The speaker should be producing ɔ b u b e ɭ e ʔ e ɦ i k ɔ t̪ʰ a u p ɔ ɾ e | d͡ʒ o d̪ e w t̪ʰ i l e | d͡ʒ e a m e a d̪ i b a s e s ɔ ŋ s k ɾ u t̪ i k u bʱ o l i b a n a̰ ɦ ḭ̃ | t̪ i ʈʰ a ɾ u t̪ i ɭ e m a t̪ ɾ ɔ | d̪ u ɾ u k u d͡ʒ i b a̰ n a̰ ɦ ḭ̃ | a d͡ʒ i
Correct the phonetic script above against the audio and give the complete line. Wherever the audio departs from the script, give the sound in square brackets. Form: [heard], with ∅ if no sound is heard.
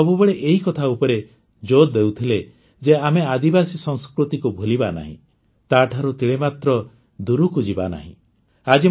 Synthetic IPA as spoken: ɔ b u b e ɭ e ʔ e ɦ i k ɔ t̪ʰ a u p ɔ ɾ e | d͡ʒ o d̪ e w t̪ʰ i l e | d͡ʒ e a m e a d̪ i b a s [i] s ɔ ŋ s k ɾ u t̪ i k u bʱ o l i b a n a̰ ɦ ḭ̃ | t̪ [a] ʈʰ a ɾ u t̪ i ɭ e m a t̪ ɾ ɔ | d̪ u ɾ u k u d͡ʒ i b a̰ n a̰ ɦ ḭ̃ | a d͡ʒ i